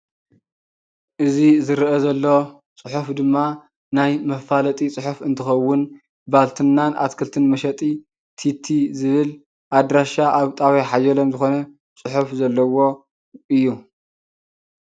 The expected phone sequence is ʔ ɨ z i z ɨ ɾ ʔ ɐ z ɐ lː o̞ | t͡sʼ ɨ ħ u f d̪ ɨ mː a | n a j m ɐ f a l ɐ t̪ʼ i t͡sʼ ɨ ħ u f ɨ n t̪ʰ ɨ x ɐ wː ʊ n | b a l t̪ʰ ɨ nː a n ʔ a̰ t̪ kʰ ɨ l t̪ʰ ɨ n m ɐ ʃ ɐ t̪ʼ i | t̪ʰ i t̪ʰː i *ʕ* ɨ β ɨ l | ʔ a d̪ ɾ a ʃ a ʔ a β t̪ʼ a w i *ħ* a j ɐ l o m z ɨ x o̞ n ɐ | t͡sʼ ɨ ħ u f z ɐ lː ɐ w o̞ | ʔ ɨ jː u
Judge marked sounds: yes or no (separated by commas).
no, yes